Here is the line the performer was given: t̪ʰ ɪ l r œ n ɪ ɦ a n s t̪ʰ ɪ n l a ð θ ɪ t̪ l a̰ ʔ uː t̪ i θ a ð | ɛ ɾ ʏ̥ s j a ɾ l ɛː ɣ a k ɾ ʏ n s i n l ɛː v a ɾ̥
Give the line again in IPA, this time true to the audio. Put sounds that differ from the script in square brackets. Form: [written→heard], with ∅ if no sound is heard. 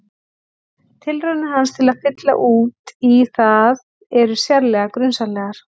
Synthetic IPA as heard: t̪ʰ ɪ l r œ n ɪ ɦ a n s t̪ʰ ɪ [n→∅] l a ð [θ→f] ɪ t̪ l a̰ ʔ uː t̪ i θ a ð | ɛ ɾ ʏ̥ s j a ɾ l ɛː ɣ a k ɾ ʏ n s [i→a] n l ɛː [v→ɣ] a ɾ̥